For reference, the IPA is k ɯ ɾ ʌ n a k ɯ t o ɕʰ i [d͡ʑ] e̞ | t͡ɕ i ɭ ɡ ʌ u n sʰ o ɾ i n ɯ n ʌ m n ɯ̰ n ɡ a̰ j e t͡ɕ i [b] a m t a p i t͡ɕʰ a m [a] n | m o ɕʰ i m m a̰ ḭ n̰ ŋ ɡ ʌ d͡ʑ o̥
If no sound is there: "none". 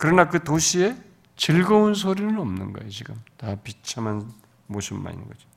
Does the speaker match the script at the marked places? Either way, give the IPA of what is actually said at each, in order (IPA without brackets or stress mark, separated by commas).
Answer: none, ɡ, a